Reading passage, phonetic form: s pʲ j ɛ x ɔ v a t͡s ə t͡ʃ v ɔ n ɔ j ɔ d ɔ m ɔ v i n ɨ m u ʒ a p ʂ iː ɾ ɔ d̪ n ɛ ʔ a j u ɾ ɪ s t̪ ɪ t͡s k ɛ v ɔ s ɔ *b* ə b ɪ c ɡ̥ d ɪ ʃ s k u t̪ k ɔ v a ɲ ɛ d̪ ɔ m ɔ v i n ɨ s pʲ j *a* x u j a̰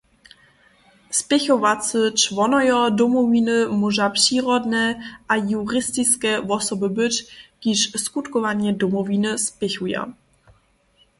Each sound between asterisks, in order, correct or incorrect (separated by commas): correct, incorrect